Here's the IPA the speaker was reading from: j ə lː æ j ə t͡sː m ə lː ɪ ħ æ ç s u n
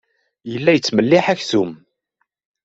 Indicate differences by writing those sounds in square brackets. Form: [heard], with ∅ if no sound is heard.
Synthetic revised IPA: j ə lː æ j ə t͡sː m ə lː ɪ ħ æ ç [θ] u [m]